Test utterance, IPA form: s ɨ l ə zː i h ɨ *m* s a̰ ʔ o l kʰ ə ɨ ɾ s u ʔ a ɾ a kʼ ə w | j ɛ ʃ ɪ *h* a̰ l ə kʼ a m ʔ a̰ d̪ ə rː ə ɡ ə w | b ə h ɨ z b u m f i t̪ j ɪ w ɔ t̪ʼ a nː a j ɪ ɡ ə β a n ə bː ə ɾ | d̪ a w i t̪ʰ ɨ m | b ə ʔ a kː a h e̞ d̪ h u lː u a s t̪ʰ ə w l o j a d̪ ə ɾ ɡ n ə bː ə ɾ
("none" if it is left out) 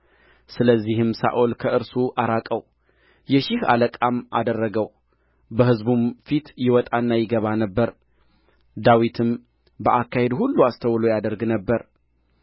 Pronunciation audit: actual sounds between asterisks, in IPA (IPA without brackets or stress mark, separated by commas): m, h